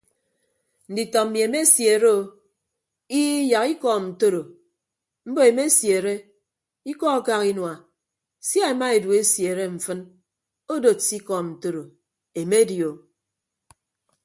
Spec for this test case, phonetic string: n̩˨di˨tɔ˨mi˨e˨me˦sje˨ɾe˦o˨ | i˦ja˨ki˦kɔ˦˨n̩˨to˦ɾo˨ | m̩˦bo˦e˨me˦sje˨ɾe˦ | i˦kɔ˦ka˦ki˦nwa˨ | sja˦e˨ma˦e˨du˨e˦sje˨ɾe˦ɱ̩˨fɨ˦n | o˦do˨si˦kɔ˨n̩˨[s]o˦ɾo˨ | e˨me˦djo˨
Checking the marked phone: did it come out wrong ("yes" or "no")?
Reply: yes